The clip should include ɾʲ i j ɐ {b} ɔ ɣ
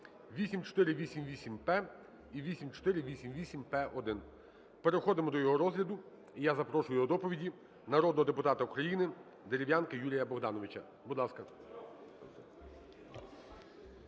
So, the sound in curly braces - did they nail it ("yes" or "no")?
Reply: yes